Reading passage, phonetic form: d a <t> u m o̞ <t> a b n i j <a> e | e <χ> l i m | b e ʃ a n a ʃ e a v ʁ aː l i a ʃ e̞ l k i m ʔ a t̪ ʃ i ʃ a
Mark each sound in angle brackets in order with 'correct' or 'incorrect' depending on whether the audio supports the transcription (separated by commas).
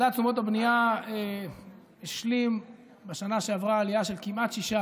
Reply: incorrect, correct, correct, incorrect